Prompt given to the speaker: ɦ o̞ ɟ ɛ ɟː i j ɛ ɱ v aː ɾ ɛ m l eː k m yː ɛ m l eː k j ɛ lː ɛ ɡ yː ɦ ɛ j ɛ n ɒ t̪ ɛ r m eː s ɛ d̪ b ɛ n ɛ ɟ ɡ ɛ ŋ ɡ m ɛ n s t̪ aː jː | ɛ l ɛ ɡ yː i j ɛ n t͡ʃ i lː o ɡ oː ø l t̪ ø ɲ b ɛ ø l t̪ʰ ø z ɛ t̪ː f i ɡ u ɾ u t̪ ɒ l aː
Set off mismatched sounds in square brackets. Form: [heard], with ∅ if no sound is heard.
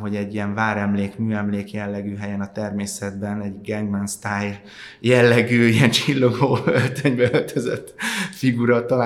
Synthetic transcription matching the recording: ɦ o̞ ɟ ɛ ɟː i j ɛ ɱ v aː ɾ ɛ m l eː k m yː ɛ m l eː k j ɛ lː ɛ ɡ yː ɦ ɛ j ɛ n ɒ t̪ ɛ r m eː s ɛ d̪ b ɛ n ɛ ɟ ɡ ɛ ŋ ɡ m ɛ n s t̪ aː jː | ɛ [lː] ɛ ɡ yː i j ɛ n t͡ʃ i lː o ɡ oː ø l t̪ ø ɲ b ɛ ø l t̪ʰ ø z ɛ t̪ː f i ɡ u ɾ [ɒ] t̪ ɒ l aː